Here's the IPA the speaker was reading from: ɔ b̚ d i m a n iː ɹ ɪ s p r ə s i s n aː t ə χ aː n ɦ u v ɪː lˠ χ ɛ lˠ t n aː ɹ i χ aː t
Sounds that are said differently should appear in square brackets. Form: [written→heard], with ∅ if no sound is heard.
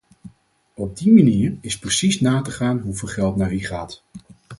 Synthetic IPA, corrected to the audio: ɔ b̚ d i m a n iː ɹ ɪ s p r ə s i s n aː t ə χ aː n ɦ u v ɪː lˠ χ ɛ lˠ t n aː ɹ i χ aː t